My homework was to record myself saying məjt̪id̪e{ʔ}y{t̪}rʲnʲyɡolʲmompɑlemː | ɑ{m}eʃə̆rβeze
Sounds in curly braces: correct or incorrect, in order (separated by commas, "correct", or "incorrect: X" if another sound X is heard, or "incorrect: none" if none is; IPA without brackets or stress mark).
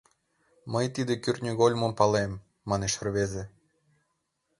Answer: incorrect: k, incorrect: none, incorrect: n